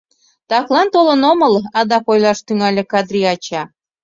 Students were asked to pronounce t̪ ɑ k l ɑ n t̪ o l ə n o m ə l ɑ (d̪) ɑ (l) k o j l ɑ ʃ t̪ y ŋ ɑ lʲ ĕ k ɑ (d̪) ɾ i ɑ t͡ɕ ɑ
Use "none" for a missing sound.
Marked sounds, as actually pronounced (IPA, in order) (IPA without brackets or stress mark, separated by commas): d̪, none, d̪